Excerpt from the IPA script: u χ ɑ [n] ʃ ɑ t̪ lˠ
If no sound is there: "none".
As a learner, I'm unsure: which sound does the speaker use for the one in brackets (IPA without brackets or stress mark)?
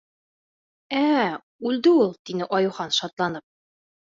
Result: n